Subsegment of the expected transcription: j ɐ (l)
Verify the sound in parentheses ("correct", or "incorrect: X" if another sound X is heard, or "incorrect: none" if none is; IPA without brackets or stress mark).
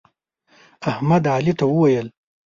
correct